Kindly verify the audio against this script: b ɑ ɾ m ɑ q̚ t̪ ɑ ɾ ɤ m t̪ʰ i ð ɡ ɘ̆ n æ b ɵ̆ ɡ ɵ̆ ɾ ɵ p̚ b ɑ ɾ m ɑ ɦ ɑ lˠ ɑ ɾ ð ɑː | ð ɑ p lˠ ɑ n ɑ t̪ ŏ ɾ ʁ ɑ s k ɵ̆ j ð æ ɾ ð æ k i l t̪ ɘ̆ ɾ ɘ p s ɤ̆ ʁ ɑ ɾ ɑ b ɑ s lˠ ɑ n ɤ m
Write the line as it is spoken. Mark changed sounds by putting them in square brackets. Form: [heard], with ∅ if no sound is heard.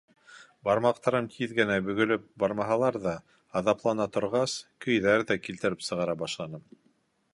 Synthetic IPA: b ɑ ɾ m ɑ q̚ t̪ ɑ ɾ ɤ m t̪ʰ i ð ɡ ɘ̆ n æ b ɵ̆ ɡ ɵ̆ [l] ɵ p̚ b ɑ ɾ m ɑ ɦ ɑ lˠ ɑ ɾ ð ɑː | ð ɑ p lˠ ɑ n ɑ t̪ ŏ ɾ ʁ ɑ s k ɵ̆ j ð æ ɾ ð æ k i l t̪ ɘ̆ ɾ ɘ p s ɤ̆ ʁ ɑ ɾ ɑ b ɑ [ʃ] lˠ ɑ n ɤ m